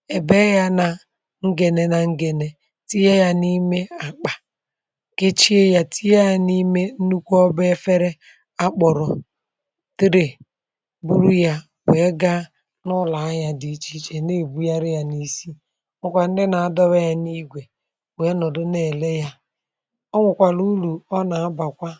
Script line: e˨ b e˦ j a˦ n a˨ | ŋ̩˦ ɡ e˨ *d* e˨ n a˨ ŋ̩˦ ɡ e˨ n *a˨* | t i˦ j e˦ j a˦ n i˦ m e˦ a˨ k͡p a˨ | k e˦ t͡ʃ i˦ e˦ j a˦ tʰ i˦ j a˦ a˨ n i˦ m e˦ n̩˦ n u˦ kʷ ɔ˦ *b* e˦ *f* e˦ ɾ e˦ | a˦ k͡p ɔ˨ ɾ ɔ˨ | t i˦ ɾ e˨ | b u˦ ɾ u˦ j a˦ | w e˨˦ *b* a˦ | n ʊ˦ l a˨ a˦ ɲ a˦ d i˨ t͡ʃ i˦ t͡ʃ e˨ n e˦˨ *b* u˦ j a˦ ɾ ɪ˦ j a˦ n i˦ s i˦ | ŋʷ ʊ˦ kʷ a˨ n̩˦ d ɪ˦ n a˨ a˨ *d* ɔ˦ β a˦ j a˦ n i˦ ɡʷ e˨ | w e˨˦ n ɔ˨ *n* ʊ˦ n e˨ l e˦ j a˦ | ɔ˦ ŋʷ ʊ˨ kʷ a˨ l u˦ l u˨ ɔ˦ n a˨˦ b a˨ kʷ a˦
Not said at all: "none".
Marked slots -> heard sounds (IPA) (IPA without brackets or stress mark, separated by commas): n, e˨, b, f, ɡ, b, d, d